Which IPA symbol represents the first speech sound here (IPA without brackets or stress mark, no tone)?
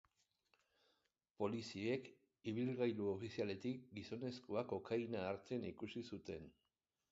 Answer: p